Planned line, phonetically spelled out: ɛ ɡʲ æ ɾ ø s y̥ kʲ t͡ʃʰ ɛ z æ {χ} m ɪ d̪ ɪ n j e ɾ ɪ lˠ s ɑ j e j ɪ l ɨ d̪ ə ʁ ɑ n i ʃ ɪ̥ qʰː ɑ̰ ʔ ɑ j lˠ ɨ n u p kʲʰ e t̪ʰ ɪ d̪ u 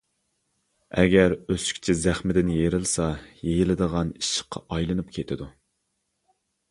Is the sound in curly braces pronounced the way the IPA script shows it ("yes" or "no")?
yes